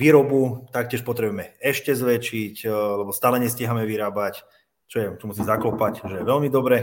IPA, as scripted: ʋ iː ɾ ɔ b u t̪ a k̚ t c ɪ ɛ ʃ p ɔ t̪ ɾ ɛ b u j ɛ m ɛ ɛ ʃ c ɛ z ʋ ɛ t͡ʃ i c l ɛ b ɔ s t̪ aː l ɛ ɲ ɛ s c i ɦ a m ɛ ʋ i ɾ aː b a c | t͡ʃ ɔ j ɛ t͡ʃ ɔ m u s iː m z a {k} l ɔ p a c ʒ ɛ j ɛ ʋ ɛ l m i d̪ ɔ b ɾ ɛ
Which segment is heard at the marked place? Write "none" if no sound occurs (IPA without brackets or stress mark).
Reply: k